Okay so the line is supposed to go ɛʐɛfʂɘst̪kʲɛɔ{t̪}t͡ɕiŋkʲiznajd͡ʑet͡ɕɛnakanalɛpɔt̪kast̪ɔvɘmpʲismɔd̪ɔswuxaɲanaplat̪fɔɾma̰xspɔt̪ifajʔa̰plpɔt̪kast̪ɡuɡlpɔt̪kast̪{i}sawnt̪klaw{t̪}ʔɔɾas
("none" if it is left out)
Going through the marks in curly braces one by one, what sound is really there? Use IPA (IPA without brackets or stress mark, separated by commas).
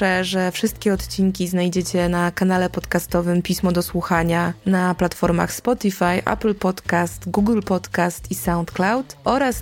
t̪, i, t̪